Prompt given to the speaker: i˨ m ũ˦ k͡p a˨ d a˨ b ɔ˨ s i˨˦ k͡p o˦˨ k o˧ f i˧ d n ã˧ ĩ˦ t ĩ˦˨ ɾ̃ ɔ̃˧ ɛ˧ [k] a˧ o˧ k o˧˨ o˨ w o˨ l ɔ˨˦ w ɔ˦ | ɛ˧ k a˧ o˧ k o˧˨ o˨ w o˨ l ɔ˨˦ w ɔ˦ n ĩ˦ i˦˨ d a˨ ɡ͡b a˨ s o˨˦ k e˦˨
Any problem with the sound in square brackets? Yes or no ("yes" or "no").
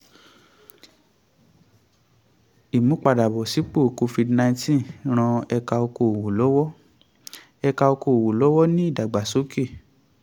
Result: no